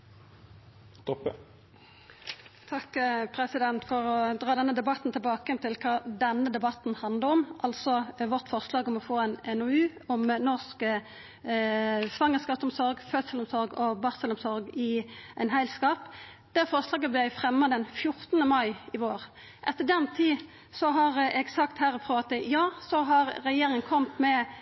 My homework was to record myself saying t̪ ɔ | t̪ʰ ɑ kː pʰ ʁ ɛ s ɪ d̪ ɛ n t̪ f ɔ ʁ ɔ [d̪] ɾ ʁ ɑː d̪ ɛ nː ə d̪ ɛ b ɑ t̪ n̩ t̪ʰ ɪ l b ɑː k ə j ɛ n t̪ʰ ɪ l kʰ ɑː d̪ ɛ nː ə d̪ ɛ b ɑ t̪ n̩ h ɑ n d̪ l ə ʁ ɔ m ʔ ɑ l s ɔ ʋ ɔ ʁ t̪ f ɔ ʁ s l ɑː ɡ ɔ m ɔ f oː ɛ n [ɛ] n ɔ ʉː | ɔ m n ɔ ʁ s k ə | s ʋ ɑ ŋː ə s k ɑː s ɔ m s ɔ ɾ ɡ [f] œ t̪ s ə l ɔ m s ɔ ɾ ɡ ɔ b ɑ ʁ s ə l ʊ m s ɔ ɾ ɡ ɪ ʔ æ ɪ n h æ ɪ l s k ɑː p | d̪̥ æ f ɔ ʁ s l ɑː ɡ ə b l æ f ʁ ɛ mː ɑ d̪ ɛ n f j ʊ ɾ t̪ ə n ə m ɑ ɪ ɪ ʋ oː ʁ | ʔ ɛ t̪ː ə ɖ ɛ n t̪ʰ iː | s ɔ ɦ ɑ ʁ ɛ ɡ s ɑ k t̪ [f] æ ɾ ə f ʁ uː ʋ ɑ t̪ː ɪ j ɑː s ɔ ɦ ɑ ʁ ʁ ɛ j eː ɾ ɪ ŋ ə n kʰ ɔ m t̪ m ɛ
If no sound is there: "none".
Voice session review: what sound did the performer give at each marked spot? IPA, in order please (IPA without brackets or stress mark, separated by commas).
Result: d̪, ɛ, f, h